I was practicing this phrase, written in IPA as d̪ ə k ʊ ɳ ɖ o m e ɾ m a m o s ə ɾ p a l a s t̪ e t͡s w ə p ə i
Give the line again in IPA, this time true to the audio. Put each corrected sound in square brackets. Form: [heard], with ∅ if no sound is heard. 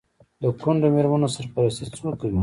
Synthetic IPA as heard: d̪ ə k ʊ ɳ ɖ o m e ɾ m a [n] o s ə ɾ p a [ɾ] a s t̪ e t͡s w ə [k] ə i